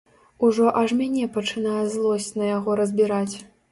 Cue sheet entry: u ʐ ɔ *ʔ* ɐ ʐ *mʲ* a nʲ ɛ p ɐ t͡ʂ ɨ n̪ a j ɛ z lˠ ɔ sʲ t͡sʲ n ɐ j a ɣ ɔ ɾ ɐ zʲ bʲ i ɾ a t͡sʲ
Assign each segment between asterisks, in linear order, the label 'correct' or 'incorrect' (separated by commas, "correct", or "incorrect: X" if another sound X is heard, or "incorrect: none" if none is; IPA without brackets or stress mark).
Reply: correct, correct